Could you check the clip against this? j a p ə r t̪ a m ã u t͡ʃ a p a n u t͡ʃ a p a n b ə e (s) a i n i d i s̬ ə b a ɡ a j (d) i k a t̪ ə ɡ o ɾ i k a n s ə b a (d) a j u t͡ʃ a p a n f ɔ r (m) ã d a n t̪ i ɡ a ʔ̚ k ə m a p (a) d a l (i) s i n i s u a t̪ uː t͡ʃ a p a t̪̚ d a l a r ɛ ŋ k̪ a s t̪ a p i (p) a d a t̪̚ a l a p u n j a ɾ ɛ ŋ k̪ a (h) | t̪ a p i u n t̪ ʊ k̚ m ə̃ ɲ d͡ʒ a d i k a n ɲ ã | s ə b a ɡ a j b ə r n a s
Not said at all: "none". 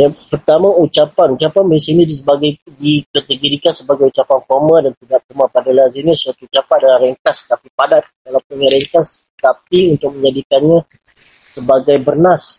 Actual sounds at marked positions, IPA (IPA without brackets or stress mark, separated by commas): s, d, ɡ, m, a, a, p, s